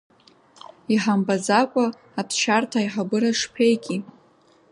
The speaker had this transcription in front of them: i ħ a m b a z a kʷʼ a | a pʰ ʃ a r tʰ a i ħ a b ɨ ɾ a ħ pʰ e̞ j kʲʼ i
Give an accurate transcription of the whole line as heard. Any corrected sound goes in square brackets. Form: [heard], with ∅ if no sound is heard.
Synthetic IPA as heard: i ħ a m b a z a kʷʼ a | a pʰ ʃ a r tʰ a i ħ a b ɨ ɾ a [ʂ] pʰ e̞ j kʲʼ i